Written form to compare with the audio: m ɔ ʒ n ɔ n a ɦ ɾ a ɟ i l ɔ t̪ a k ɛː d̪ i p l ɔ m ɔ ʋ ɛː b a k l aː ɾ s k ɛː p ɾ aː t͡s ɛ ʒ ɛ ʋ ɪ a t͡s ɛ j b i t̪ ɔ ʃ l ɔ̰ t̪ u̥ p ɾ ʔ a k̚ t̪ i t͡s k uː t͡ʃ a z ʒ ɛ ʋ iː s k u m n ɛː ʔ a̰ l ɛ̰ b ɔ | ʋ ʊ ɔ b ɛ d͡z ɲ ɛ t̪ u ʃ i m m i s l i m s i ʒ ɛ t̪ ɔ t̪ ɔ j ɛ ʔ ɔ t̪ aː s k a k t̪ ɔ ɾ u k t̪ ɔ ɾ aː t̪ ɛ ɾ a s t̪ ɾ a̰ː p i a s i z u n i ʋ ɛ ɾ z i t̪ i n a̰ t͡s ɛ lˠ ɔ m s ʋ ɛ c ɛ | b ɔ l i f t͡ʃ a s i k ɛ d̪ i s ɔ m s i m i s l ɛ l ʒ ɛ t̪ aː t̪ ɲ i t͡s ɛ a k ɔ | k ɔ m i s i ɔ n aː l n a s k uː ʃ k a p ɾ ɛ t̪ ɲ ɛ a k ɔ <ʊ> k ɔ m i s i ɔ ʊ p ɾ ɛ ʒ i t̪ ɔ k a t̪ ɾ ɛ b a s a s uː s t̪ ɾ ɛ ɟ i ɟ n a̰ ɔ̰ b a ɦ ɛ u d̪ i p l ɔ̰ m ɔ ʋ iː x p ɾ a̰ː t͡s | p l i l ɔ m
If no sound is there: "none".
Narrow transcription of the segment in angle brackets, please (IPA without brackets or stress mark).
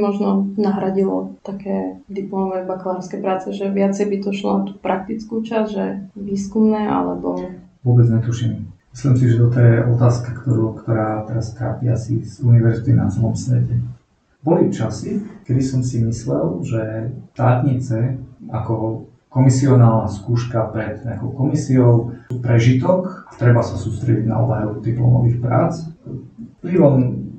ʊ